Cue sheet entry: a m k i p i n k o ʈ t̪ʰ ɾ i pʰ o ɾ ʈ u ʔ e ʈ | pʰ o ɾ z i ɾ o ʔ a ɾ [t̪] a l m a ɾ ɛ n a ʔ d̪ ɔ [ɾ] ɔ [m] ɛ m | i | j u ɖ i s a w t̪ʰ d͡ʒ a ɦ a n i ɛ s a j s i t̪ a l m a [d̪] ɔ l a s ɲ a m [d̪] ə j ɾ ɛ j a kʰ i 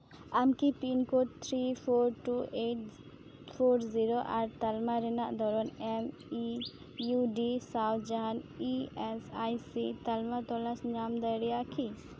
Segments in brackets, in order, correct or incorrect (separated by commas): correct, correct, incorrect, incorrect, correct